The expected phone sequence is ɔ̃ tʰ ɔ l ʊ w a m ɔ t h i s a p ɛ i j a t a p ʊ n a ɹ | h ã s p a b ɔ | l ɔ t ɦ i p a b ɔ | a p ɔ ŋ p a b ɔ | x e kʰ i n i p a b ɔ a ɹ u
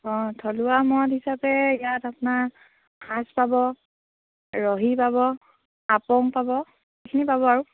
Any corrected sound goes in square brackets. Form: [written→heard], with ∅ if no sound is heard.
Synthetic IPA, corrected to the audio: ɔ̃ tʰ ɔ l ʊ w a m ɔ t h i s a p ɛ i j a t a p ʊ n a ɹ | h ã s p a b ɔ | [l→ɹ] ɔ [t→∅] ɦ i p a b ɔ | a p ɔ ŋ p a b ɔ | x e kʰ i n i p a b ɔ a ɹ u